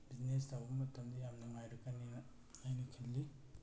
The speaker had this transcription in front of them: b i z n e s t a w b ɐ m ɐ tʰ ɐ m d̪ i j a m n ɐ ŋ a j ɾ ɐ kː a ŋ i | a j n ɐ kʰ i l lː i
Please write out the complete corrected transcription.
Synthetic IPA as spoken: b i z n e s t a w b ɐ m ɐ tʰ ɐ m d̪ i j a m n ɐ ŋ a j ɾ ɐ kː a n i | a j n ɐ kʰ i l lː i